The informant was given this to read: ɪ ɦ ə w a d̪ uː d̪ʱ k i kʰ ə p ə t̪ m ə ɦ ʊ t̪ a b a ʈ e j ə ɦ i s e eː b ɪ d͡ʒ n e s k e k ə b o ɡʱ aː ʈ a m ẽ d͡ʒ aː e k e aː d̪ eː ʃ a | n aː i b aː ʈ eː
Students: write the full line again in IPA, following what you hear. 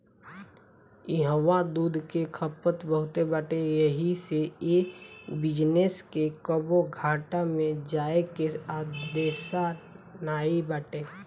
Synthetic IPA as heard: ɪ ɦ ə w a d̪ uː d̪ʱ k e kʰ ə p ə t̪ b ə ɦ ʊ t̪ e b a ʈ e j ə ɦ i s e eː b ɪ d͡ʒ n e s k e k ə b o ɡʱ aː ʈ a m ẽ d͡ʒ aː e k e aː d̪ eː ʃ a | n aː i b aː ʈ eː